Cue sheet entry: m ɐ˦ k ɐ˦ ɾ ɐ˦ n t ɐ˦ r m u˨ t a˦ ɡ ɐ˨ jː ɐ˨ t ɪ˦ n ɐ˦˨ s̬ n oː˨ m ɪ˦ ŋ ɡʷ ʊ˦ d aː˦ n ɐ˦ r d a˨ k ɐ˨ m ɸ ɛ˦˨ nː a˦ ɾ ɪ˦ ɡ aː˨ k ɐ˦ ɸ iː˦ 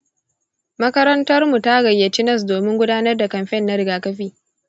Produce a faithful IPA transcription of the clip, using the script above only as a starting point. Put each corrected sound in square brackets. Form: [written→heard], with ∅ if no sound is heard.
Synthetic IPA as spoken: m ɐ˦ k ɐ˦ ɾ ɐ˦ n t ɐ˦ r m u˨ t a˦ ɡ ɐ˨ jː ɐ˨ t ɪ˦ n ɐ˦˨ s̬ [n→d] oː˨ m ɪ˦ ŋ ɡʷ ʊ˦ d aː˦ n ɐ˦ r d a˨ k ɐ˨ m ɸ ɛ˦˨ nː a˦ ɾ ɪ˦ ɡ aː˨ k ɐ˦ ɸ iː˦